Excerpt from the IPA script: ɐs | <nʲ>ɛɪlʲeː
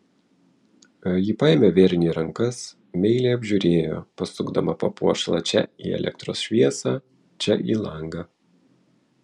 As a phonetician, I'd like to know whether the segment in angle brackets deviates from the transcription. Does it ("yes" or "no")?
yes